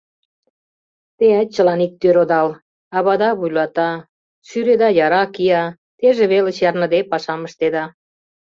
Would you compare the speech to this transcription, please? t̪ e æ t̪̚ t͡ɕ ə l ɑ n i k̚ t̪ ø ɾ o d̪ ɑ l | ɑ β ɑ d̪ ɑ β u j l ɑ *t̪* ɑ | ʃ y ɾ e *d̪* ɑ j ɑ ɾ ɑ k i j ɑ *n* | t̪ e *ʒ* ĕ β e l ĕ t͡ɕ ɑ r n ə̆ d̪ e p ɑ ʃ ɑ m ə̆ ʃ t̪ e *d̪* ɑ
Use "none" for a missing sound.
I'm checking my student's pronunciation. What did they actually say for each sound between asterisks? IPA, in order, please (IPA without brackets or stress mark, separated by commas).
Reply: t̪, d̪, none, ʒ, d̪